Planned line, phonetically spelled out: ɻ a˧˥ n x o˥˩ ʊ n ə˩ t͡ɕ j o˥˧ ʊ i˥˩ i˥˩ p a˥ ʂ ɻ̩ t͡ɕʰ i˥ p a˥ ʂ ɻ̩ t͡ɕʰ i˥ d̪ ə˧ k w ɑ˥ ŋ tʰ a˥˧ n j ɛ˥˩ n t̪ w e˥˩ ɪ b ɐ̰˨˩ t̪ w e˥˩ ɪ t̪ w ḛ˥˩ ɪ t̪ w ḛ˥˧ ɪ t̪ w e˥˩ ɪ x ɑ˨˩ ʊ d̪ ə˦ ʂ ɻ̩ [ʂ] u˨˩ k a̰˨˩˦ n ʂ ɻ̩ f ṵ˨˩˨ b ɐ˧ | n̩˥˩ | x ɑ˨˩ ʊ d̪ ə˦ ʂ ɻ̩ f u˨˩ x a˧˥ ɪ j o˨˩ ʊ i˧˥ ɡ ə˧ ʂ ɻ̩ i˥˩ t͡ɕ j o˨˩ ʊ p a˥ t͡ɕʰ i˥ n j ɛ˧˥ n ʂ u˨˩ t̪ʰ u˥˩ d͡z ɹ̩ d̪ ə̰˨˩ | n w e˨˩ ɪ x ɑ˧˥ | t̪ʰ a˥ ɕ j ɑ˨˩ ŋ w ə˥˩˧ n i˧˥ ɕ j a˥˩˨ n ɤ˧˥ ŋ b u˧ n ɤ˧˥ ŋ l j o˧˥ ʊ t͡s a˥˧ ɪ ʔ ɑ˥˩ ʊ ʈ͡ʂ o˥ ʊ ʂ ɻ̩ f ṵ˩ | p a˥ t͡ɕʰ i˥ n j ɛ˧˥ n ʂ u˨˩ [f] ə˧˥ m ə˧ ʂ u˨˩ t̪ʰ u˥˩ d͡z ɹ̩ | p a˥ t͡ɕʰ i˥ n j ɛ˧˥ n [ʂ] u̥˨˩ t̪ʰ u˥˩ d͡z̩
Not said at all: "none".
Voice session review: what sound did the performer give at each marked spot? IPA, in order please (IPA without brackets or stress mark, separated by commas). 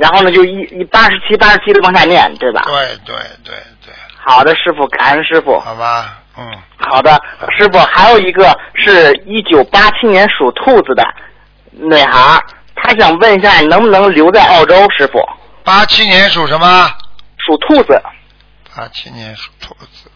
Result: f, ʂ, ʂ